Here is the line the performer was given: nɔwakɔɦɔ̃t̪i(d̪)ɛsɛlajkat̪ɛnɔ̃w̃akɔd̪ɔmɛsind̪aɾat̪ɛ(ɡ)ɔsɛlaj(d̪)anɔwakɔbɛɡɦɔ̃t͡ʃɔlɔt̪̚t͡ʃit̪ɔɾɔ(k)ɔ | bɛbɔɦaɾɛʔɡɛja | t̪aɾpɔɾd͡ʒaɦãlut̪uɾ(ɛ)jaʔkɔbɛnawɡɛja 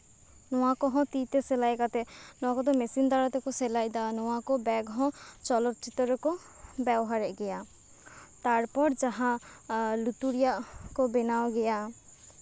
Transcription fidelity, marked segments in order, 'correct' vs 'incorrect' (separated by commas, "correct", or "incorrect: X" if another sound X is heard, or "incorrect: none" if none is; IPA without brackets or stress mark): incorrect: t̪, incorrect: k, correct, correct, incorrect: i